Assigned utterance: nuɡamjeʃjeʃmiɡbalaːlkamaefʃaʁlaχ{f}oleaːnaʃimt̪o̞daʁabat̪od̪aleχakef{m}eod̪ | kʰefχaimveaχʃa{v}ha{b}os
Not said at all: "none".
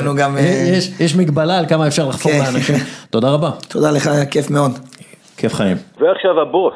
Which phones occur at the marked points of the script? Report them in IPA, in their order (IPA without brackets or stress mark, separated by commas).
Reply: f, m, v, b